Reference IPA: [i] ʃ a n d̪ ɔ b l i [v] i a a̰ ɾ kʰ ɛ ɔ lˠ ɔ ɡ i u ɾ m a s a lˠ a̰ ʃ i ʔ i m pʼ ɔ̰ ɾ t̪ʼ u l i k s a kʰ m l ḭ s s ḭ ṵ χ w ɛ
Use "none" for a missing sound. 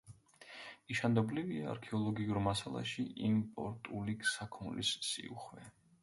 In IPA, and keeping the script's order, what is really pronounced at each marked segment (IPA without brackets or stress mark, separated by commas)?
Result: i, v